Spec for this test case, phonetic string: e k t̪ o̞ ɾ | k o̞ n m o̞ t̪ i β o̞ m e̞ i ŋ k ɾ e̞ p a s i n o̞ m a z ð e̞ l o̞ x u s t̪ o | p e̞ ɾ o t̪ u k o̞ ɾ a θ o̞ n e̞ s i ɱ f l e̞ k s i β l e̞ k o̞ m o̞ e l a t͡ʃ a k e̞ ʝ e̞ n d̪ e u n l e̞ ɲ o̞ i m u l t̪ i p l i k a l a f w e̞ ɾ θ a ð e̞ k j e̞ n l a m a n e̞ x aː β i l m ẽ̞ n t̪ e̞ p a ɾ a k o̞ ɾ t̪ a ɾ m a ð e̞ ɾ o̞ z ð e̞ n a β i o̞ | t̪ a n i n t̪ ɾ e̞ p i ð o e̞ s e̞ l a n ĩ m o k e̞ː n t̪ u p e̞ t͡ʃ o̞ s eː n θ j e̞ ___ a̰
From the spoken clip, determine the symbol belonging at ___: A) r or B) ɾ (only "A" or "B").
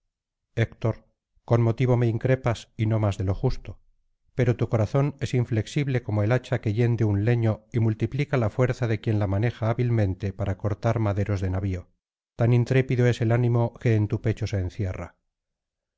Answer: A